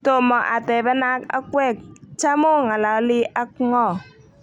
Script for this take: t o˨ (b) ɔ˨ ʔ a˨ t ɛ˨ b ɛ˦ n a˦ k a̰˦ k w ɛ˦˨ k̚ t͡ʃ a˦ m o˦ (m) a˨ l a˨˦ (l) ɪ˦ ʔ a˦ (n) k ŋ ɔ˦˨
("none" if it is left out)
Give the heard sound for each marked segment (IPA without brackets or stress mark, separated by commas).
m, ŋ, l, none